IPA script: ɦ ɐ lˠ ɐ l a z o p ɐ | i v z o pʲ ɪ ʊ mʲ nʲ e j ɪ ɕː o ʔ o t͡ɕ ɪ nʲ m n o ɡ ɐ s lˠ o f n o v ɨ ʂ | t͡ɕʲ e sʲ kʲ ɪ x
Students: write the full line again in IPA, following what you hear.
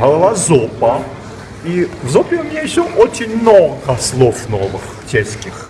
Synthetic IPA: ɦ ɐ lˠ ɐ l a z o p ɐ | i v z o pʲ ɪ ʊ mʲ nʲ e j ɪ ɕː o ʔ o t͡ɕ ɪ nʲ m n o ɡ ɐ s lˠ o f n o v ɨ x | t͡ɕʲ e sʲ kʲ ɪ x